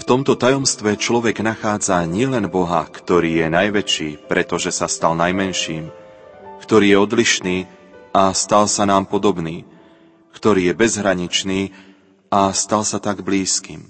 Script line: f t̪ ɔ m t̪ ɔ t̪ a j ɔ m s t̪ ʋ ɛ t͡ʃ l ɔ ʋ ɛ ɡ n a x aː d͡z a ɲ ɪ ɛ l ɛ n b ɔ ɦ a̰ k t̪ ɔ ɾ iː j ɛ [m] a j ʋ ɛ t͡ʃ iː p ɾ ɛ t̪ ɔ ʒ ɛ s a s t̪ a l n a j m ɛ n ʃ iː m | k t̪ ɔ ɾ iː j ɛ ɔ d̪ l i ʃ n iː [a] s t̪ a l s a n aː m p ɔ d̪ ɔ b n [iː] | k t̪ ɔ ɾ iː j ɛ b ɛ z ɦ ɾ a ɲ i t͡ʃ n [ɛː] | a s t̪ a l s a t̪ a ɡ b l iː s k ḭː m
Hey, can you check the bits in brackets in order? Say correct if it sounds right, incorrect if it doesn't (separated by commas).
incorrect, correct, correct, incorrect